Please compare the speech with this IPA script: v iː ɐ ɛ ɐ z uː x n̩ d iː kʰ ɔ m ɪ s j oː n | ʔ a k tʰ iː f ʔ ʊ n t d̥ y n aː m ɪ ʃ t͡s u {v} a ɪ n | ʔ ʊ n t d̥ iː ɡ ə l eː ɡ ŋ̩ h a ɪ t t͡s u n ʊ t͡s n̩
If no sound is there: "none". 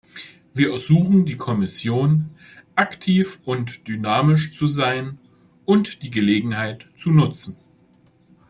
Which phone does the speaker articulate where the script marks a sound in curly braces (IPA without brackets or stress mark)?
z